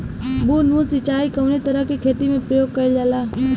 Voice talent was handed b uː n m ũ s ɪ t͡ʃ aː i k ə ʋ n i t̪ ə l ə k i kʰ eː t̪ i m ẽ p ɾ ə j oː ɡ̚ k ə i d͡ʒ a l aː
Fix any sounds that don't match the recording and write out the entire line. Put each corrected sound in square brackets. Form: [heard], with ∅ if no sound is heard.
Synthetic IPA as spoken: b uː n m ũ s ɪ t͡ʃ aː i k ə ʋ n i t̪ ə [ɾ] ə k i kʰ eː t̪ i m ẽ p ɾ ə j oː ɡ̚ k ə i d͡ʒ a l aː